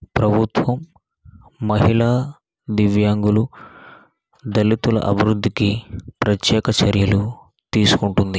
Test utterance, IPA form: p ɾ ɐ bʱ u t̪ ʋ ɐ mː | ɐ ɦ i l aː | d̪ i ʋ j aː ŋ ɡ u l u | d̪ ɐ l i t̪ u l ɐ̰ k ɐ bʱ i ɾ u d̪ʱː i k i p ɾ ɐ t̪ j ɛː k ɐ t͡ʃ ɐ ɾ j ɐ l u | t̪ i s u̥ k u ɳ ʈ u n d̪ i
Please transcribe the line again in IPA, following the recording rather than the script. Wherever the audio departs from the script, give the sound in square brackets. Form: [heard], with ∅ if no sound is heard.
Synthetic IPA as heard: p ɾ ɐ bʱ u t̪ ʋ ɐ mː | ɐ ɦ i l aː | d̪ i ʋ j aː ŋ ɡ u l u | d̪ ɐ l i t̪ u l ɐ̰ [ʔ] ɐ bʱ i ɾ u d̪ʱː i k i p ɾ ɐ t̪ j ɛː k ɐ t͡ʃ ɐ ɾ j ɐ l u | t̪ [iː] s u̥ k u ɳ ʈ u n d̪ i